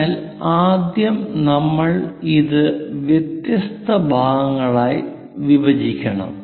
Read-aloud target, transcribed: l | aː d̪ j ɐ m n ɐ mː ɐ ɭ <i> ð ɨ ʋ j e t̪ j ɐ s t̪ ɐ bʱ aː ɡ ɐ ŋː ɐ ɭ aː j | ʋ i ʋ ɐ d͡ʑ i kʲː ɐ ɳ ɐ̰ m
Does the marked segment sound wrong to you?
no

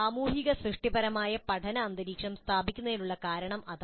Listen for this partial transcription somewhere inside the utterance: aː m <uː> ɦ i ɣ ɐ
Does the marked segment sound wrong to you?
no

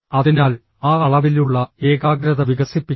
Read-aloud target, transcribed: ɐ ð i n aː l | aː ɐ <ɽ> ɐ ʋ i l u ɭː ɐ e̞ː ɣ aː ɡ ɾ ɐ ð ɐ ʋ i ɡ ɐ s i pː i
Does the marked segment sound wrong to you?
yes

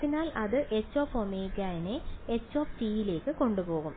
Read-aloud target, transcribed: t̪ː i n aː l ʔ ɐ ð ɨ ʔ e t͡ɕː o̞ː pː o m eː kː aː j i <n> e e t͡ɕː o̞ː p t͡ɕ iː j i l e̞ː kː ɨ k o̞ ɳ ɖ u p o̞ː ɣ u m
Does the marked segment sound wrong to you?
no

